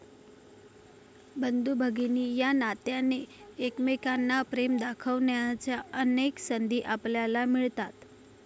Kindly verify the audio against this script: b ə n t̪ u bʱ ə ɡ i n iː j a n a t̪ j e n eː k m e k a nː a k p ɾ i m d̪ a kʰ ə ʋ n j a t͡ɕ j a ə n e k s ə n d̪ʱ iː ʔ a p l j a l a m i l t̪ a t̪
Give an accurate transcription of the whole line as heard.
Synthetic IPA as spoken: b ə n d̪ u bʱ ə ɡ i n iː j a n a t̪ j a n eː k m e k a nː a p ɾ e m d̪ a kʰ ə ʋ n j a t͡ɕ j a ə n e k s ə n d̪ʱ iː ʔ a p l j a l a m i ɭ t̪ a t̪